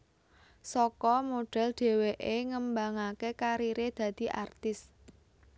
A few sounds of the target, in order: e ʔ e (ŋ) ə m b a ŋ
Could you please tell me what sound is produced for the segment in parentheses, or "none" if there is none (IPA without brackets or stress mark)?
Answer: ŋ